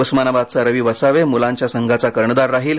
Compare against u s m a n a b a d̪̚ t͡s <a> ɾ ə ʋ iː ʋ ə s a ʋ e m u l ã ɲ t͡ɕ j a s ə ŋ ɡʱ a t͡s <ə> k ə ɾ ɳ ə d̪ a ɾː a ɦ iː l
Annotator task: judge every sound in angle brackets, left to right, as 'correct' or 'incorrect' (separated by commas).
correct, incorrect